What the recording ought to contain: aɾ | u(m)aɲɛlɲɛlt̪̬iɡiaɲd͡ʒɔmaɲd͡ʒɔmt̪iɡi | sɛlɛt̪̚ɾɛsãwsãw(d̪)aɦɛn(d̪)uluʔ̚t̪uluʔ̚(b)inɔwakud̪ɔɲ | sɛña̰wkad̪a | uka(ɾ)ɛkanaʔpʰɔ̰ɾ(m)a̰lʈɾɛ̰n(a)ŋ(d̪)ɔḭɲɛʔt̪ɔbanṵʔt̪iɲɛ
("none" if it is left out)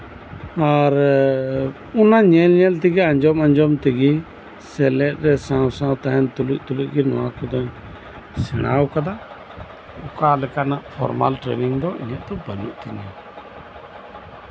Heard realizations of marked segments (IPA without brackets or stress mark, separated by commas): n, t̪, t̪, ɡ, l, m, i, d̪